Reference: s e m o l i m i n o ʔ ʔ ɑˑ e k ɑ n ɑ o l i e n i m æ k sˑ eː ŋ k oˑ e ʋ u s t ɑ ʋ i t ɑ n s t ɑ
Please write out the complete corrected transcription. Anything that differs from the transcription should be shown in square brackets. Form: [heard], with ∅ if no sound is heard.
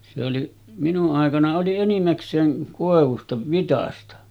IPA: s e [∅] o l i m i n [u] ʔ ʔ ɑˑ e k ɑ n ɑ o l i e n i m æ k sˑ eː ŋ k oˑ e ʋ u s t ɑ ʋ i t ɑ [∅] s t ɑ